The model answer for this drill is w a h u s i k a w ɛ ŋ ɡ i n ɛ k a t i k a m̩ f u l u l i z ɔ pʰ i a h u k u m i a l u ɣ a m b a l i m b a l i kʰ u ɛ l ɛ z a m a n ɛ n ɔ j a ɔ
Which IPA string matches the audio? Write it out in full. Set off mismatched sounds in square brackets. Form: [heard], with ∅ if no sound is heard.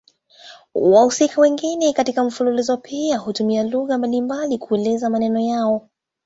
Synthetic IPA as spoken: w a h u s i k a w ɛ ŋ ɡ i n ɛ k a t i k a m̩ f u l u l i z ɔ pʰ i a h u [t] u m i a l u ɣ a m b a l i m b a l i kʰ u ɛ l ɛ z a m a n ɛ n ɔ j a ɔ

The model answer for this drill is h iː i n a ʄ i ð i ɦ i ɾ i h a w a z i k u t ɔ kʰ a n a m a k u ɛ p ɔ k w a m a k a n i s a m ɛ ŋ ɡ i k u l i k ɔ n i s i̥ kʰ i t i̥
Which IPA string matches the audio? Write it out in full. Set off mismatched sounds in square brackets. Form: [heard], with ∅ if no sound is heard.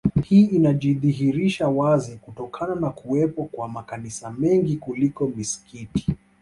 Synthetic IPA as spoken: h iː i n a ʄ i ð i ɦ i ɾ i [ʃ] a w a z i k u t ɔ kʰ a n a [n] a k u ɛ p ɔ k w a m a k a n i s a m ɛ ŋ ɡ i k u l i k ɔ [m] i s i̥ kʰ i t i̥

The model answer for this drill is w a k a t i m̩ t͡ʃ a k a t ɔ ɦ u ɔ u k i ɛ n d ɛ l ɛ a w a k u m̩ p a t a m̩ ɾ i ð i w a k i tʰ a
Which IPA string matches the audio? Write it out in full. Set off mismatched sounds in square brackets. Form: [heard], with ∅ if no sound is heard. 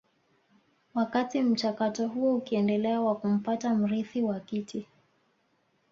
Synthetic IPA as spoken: w a k a t i m̩ t͡ʃ a k a t ɔ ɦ u ɔ u k i ɛ n d ɛ l ɛ a w a k u m̩ p a t a m̩ ɾ i [θ] i w a k i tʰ [i]

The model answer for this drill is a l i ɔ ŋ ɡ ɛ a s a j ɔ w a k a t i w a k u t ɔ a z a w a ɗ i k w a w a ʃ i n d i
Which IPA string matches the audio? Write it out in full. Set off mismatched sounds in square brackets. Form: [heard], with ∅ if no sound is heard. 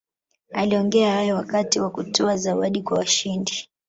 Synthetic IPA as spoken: a l i ɔ ŋ ɡ ɛ a [h] a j ɔ w a k a t i w a k u t ɔ a z a w a ɗ i k w a w a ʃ i n d i

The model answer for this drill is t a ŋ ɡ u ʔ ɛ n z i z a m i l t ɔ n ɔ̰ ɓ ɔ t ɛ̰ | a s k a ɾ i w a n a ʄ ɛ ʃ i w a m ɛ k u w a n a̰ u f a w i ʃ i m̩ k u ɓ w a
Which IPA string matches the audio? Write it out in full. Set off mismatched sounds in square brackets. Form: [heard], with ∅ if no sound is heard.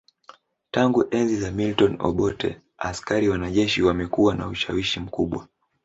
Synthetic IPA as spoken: t a ŋ ɡ u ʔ ɛ n z i z a m i l t ɔ n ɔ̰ ɓ ɔ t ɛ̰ | a s k a ɾ i w a n a ʄ ɛ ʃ i w a m ɛ k u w a n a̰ u [ʃ] a w i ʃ i m̩ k u ɓ w a

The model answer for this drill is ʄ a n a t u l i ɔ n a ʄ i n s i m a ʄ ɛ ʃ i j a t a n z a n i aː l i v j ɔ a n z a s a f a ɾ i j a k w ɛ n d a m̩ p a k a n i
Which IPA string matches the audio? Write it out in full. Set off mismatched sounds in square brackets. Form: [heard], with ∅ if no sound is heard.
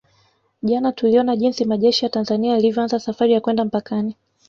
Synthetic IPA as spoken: ʄ a n a t u l i ɔ n a ʄ i n s i m a ʄ ɛ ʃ i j a t a n z a n i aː l i v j ɔ a n z a s a f a ɾ i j a k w ɛ n d a m̩ p a k a n i

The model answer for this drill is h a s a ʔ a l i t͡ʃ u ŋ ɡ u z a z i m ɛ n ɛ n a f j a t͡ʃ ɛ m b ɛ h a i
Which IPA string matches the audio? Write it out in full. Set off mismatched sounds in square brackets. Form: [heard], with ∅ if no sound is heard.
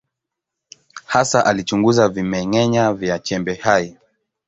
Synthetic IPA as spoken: h a s a ʔ a l i t͡ʃ u ŋ ɡ u z a [v] i m ɛ [ŋ] ɛ [ɲ] a [v] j a t͡ʃ ɛ m b ɛ h a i

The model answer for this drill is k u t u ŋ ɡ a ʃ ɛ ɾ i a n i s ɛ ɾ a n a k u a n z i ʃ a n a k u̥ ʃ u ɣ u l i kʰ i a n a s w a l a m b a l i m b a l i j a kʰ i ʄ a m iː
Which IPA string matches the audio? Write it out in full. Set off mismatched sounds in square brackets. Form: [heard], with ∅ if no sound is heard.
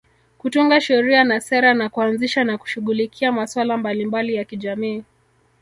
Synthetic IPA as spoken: k u t u ŋ ɡ a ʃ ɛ ɾ i a n [a] s ɛ ɾ a n a k u a n z i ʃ a n a k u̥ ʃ u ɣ u l i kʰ i a [m] a s w a l a m b a l i m b a l i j a [k] i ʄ a m iː

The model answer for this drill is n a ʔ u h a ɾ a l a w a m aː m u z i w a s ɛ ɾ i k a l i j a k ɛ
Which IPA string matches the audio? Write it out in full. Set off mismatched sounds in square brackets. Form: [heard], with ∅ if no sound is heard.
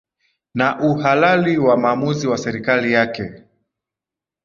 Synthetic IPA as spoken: n a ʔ u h a [l] a l [i] w a m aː m u z i w a s ɛ ɾ i k a l i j a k ɛ

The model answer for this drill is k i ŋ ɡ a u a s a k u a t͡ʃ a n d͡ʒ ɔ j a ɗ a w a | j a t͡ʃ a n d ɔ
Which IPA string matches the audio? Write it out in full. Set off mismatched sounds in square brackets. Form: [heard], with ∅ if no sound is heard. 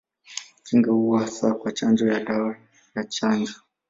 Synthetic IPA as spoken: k i ŋ ɡ a u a s a k [w] a t͡ʃ a n d͡ʒ ɔ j a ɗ a w a | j a t͡ʃ a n [d͡ʒ] ɔ

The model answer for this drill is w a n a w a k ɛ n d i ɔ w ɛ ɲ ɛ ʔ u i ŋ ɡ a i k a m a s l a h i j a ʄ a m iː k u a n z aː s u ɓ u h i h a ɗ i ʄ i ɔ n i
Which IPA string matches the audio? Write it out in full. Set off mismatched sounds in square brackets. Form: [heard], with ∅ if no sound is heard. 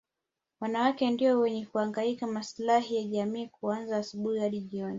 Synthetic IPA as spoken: w a n a w a k ɛ n d i ɔ w ɛ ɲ ɛ [k] u [a] ŋ ɡ a i k a m a s l a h i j a ʄ a m iː k u a n z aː s u ɓ u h i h a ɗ i ʄ i ɔ n i

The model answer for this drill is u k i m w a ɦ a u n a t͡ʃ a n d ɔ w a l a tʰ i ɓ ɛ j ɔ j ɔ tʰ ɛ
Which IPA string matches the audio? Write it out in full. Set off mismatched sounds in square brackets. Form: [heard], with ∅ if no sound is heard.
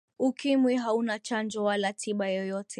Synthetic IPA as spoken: u k i m w [i] ɦ a u n a t͡ʃ a n [d͡ʒ] ɔ w a l a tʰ i ɓ [a] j ɔ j ɔ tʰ ɛ

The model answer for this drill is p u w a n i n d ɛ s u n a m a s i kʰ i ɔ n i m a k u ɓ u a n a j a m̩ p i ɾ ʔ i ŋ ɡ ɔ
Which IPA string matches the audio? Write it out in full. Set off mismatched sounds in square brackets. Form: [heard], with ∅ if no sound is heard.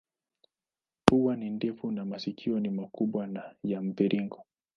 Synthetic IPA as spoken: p u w a n i n d ɛ [f] u n a m a s i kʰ i ɔ n i m a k u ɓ [w] a n a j a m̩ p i ɾ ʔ i ŋ ɡ ɔ

